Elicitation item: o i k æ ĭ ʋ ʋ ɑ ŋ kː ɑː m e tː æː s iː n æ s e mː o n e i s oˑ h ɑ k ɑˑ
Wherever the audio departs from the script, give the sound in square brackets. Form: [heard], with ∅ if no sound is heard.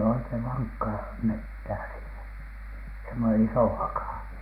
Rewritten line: o i k [e] ĭ ʋ ʋ ɑ ŋ kː ɑː m e tː æː s iː n æ s e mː o n e i s oˑ h ɑ k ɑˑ